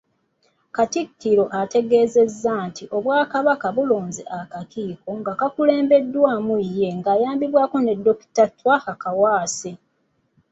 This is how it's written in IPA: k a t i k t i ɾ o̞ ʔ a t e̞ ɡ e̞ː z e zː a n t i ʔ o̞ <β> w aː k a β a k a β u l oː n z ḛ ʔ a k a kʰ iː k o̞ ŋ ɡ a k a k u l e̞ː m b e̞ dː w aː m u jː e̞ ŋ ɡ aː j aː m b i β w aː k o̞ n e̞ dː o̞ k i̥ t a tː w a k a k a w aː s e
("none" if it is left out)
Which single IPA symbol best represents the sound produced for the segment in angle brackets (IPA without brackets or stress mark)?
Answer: β